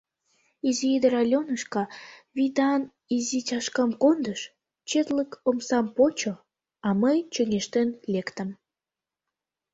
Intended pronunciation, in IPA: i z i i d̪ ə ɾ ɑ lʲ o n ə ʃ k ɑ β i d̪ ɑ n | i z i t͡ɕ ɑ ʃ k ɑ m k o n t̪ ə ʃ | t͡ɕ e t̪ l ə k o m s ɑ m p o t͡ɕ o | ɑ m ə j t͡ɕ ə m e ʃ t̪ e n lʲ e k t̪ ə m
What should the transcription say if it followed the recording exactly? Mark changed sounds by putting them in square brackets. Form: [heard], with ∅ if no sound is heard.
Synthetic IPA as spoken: i z i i d̪ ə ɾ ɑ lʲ o n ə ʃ k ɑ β i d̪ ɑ n | i z i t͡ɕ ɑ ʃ k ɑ m k o n [d̪] ə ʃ | t͡ɕ e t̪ l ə k o m s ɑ m p o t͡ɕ o | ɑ m ə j t͡ɕ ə [ŋ] e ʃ t̪ e n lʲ e k t̪ ə m